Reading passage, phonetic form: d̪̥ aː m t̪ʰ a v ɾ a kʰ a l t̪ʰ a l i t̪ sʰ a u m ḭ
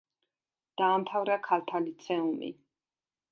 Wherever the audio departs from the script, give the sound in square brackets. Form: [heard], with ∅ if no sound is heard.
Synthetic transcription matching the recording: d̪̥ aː m t̪ʰ a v ɾ a kʰ a l t̪ʰ a l i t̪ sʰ [ɛ] u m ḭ